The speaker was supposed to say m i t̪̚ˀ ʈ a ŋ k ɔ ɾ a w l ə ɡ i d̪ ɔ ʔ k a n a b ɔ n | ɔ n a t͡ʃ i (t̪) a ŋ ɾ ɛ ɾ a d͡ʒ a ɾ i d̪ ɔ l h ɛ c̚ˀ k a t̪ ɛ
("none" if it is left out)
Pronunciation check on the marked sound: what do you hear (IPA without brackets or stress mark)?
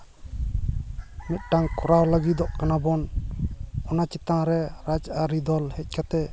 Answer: t̪